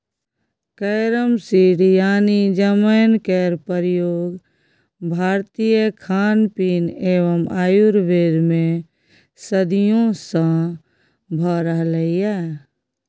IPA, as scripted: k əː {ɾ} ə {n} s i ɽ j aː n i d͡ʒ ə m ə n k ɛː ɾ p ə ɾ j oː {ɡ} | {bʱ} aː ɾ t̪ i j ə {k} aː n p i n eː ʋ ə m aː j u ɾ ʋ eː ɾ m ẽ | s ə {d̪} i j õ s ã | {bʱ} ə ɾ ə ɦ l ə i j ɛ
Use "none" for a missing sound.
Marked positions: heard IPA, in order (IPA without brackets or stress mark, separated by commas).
ɾ, m, ɡ, bʱ, kʰ, d̪, bʱ